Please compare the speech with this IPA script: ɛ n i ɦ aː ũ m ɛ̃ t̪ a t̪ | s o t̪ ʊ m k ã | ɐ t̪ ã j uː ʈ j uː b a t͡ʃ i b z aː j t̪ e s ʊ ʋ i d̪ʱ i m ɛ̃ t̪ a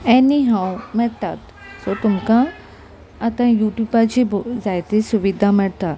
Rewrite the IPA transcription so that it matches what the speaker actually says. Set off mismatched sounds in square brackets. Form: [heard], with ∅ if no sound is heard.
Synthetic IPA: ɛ n i ɦ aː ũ m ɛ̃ t̪ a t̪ | s o t̪ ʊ m k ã | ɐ t̪ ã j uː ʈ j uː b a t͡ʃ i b z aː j t̪ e s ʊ ʋ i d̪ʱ [a] m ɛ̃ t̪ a